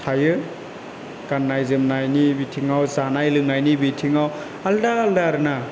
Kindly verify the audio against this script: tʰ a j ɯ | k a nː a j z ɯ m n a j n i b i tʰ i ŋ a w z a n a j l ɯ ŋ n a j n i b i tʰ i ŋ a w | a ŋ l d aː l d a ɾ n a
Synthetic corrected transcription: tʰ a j ɯ | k a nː a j z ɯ m n a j n i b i tʰ i ŋ a w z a n a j l ɯ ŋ n a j n i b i tʰ i ŋ a w | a l d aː l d a ɾ n a